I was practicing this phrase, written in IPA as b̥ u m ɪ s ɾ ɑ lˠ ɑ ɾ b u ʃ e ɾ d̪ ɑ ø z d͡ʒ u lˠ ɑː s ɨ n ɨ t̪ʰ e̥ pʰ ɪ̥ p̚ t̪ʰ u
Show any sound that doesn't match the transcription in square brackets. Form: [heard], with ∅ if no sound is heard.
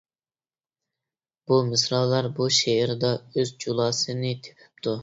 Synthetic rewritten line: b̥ u m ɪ s ɾ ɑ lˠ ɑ ɾ b u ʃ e ɾ d̪ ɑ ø z d͡ʒ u lˠ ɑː s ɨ n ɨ t̪ʰ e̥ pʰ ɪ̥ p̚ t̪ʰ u